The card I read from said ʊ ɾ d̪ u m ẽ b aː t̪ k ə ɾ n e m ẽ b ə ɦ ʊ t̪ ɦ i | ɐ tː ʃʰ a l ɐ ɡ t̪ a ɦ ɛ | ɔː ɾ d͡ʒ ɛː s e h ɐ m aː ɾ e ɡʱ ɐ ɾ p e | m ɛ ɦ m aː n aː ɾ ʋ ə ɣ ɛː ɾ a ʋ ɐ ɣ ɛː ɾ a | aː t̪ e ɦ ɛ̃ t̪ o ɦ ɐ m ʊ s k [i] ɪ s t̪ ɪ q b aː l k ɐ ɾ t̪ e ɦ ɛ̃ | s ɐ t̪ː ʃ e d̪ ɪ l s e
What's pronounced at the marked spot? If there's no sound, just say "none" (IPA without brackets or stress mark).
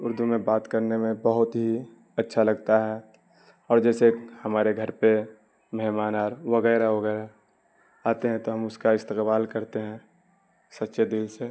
a